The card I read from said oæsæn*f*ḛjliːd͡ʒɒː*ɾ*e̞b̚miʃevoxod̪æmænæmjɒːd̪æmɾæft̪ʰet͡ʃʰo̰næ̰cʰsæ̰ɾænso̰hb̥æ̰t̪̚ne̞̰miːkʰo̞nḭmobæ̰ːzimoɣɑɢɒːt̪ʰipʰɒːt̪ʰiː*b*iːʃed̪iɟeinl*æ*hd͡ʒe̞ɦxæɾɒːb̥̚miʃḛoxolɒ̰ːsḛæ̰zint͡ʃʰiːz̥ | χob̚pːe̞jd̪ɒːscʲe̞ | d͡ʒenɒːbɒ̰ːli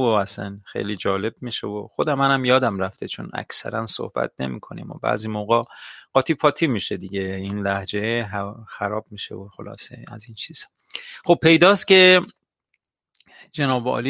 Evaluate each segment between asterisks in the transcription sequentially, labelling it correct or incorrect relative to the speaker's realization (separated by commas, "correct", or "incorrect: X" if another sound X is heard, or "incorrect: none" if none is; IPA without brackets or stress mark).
incorrect: x, incorrect: l, incorrect: m, correct